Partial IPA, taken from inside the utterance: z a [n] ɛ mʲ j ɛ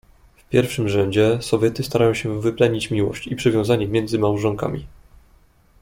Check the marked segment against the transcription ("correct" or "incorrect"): incorrect